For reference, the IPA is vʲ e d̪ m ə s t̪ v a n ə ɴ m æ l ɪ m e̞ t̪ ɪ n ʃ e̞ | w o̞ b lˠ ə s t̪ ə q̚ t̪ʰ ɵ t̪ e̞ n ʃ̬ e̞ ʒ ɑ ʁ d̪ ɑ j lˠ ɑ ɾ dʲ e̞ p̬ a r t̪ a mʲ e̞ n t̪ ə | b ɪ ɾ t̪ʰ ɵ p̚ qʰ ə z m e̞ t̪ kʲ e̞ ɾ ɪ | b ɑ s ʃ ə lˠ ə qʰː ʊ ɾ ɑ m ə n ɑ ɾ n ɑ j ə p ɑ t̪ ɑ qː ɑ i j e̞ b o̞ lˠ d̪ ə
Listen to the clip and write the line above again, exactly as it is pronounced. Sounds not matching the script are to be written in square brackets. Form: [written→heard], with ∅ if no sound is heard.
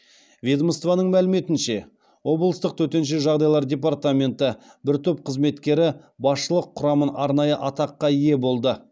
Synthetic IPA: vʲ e d̪ m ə s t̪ v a n ə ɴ m æ l ɪ m e̞ t̪ ɪ n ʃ e̞ | w o̞ b lˠ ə s t̪ ə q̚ t̪ʰ ɵ t̪ e̞ n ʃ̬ e̞ ʒ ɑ ʁ d̪ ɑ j lˠ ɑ ɾ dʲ e̞ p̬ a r t̪ a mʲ e̞ n t̪ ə | b ɪ ɾ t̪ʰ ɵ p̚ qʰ ə z m e̞ t̪ kʲ e̞ ɾ ɪ | b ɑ s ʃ ə lˠ ə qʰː ʊ ɾ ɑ m ə n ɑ ɾ n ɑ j ə [p→ʔ] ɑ t̪ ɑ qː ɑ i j e̞ b o̞ lˠ d̪ ə